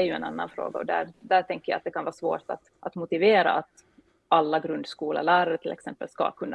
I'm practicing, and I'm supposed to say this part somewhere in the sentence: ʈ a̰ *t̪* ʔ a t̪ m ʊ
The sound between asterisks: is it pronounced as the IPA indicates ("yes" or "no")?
yes